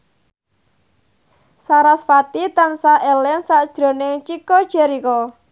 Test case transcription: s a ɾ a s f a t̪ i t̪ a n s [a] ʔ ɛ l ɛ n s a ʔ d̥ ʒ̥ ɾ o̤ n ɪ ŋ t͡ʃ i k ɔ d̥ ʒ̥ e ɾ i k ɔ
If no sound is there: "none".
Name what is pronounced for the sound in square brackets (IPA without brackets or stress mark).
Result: a